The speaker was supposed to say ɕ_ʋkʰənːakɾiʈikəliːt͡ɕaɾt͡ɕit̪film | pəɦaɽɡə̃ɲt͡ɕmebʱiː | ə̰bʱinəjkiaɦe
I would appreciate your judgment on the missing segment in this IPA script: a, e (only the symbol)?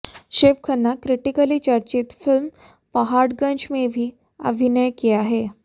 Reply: e